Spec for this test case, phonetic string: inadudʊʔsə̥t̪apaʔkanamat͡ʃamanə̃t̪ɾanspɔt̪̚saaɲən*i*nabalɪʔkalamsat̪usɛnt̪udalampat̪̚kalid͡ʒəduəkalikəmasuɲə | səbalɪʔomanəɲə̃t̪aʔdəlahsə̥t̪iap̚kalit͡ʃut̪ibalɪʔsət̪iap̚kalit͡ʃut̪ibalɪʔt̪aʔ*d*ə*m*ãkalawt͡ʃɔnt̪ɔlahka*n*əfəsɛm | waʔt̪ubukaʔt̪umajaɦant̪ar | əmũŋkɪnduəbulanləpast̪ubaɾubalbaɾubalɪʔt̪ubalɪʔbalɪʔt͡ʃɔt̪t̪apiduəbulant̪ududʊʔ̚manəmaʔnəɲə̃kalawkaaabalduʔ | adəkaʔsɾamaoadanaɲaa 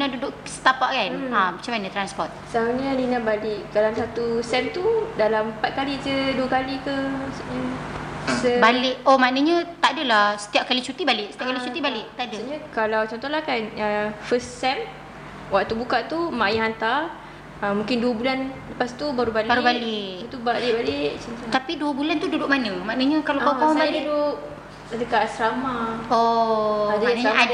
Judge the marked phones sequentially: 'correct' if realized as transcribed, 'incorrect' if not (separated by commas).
correct, correct, incorrect, correct